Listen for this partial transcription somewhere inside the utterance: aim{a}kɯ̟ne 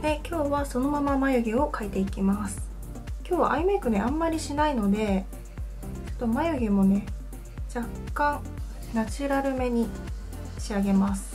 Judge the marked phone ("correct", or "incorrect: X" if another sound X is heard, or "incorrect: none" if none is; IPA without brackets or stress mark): incorrect: e